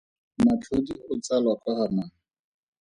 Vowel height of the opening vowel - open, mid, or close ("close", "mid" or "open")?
open